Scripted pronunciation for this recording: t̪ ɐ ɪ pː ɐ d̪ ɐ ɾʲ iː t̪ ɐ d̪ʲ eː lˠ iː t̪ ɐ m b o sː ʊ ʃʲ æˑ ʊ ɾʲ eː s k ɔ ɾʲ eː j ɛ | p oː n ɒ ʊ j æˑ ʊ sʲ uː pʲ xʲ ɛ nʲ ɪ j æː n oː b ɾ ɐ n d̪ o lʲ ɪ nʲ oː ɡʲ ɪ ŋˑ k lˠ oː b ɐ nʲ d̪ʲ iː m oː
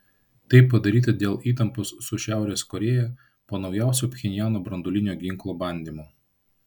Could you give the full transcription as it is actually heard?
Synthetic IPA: t̪ ɐ ɪ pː ɐ d̪ ɐ ɾʲ iː t̪ ɐ d̪ʲ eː lˠ iː t̪ ɐ m p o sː ʊ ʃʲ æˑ ʊ ɾʲ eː s k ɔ ɾʲ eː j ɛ | p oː n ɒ ʊ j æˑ ʊ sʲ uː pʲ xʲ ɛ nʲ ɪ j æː n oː b ɾ ɐ n d̪ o lʲ ɪ nʲ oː ɡʲ ɪ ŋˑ k lˠ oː b ɐ nʲ d̪ʲ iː m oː